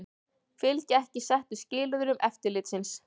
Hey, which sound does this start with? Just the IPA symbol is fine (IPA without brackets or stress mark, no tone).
f